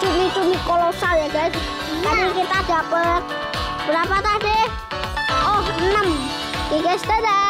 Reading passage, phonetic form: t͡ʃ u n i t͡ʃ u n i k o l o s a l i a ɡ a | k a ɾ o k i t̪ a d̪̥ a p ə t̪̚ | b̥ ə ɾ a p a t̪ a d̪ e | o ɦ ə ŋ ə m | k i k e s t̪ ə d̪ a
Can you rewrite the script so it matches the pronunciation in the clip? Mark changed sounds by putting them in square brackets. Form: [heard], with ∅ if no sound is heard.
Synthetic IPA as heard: t͡ʃ u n i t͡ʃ u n i k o l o s a l [j] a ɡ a | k a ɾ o k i t̪ a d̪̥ a p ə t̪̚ | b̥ ə ɾ a p a t̪ a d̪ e | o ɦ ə [n] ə m | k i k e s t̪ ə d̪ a